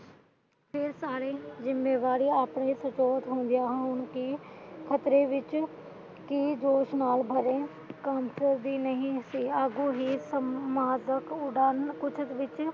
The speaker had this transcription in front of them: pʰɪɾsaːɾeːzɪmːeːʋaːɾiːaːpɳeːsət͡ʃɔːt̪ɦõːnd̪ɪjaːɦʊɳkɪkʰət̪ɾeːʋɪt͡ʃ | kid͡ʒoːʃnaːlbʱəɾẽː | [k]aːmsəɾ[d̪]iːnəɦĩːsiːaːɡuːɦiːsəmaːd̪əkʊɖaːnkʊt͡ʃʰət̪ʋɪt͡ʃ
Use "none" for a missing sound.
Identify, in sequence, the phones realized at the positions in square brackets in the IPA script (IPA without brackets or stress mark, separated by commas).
k, d̪